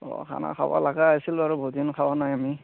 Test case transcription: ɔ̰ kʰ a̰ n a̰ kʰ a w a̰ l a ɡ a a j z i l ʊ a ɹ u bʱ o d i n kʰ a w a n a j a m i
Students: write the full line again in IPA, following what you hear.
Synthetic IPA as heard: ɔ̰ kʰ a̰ n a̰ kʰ a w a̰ l a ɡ a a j s i l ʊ a ɹ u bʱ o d i n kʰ a w a n a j a m i

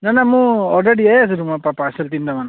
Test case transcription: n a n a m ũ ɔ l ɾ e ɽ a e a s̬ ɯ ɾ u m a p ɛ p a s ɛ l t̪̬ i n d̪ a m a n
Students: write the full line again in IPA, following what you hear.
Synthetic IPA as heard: n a n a m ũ ɔ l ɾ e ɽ i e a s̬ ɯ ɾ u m a p a p a s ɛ l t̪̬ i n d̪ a m a n

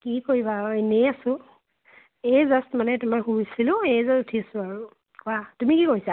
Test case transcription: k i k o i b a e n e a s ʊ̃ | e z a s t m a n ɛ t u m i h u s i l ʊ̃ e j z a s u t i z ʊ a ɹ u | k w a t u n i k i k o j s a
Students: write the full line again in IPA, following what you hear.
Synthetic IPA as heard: k i k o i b a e n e a s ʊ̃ | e z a s t m a n ɛ t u m a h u s i l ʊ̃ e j z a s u tʰ i s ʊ a ɹ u | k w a t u m i k i k o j s a

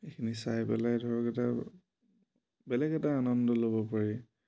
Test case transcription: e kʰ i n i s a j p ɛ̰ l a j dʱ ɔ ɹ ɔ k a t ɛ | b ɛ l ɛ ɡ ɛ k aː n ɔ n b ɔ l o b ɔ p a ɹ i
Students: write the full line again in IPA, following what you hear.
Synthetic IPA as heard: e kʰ i n i s a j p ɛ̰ l a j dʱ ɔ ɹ ɔ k ɛ t a | b ɛ l ɛ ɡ ɛ t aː n ɔ n d ɔ l o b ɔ p a ɹ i

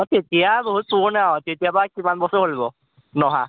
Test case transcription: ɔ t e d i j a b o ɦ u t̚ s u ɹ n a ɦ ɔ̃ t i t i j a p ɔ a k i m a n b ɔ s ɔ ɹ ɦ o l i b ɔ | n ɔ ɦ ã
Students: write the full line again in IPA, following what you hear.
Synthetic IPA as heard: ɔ t e t i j a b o ɦ u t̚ s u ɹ n a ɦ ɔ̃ t e t i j a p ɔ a k i m a n b ɔ s ɔ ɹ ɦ o l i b ɔ | n ɔ ɦ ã

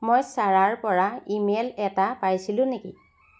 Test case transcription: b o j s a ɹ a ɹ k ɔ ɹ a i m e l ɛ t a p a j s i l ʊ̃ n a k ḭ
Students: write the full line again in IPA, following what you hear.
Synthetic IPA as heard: m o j s a ɹ a ɹ p ɔ ɹ a i m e l ɛ t a p a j s i l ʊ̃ n e k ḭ

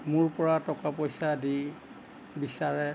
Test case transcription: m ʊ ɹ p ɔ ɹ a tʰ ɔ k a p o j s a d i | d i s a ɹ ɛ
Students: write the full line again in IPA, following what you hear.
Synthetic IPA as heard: m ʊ ɹ p ɔ ɹ a t ɔ k a p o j s a d i | b i s a ɹ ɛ

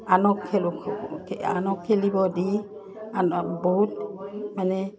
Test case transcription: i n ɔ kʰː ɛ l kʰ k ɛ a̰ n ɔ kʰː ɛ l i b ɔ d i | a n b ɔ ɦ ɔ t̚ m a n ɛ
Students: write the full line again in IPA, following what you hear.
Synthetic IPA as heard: a n ɔ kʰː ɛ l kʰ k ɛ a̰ n ɔ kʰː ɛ l i b ɔ d i | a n b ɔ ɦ u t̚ m a n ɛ

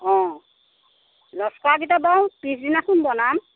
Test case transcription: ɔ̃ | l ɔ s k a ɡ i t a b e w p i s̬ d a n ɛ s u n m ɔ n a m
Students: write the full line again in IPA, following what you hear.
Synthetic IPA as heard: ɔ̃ | l ɔ s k a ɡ i t a b a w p i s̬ d i n a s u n b ɔ n a m

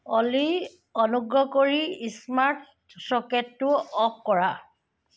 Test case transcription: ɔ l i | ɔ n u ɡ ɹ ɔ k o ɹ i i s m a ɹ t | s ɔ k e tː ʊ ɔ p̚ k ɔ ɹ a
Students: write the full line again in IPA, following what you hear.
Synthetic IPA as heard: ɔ l i | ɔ n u ɡ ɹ ɔ k o ɹ i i s m a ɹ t | s ɔ k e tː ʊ ɔ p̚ k ɔ ɹ a

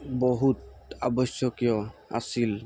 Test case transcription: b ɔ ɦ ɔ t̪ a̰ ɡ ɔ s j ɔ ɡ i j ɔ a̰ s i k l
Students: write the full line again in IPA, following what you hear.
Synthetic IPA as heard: b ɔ ɦ u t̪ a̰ b ɔ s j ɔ k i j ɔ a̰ s i l

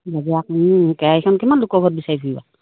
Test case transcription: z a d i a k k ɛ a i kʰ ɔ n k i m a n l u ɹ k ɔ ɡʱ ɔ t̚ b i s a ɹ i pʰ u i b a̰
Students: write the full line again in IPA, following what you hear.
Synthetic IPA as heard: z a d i a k k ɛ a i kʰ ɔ n k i m a n l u k ɔ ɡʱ ɔ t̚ b i s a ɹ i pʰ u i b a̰

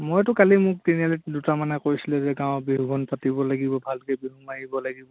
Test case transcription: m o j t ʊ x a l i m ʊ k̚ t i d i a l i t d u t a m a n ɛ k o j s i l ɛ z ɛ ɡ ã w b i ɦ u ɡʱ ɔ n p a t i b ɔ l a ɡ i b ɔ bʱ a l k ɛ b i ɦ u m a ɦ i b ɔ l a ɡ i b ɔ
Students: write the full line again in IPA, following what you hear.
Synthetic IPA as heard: m o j t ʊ k a l i m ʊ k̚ t i n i a l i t d u t a m a n ɛ k o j s i l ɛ z ɛ ɡ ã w b i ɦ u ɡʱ ɔ n p a t i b ɔ l a ɡ i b ɔ bʱ a l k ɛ b i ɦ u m a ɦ i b ɔ l a ɡ i b ɔ

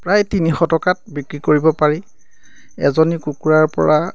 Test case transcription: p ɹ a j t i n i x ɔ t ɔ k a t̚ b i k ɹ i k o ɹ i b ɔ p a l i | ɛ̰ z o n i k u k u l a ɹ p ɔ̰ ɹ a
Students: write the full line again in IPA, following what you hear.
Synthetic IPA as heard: p ɹ a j t i n i x ɔ t ɔ k a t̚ b i k ɹ i k o ɹ i b ɔ p a ɹ i | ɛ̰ z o n i k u k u ɹ a ɹ p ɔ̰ ɹ a

